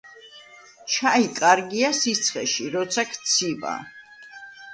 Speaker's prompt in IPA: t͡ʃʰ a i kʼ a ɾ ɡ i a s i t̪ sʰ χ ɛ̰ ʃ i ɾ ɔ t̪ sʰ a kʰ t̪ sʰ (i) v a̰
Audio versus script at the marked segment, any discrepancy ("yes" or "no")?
no